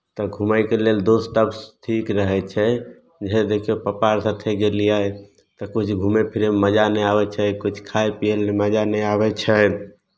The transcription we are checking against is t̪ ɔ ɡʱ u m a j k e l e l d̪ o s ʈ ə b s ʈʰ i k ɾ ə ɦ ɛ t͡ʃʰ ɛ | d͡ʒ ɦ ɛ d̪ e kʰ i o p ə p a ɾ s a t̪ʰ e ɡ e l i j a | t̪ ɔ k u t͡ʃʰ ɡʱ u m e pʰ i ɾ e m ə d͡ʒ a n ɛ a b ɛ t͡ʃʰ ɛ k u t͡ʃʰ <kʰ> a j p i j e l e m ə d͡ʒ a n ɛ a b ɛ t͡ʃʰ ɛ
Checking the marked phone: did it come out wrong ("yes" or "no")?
no